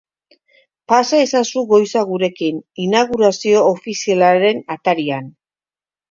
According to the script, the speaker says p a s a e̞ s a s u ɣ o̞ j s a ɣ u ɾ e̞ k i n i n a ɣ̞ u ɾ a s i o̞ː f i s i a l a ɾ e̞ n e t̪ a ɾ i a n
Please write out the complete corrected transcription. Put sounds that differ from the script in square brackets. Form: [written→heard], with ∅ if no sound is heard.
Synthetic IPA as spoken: p a s a e̞ s a s u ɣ o̞ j s a ɣ u ɾ e̞ k i n i n a ɣ̞ u ɾ a s i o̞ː f i s i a l a ɾ e̞ n [e→a] t̪ a ɾ i a n